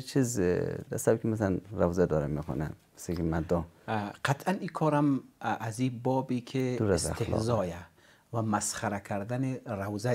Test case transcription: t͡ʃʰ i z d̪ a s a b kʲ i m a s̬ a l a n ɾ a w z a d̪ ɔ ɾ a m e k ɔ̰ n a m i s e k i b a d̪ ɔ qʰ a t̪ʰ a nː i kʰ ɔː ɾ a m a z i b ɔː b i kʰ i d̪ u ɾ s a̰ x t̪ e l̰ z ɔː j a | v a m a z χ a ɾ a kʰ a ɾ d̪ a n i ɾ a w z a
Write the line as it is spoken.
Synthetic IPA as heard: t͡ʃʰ i z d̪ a s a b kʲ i m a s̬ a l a n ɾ a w z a d̪ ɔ ɾ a m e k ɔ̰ n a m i s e k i m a d̪ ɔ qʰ a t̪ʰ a n i kʰ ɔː ɾ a m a z i b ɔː b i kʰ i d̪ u ɾ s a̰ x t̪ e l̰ z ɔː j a | v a m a s χ a ɾ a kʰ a ɾ d̪ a n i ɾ a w z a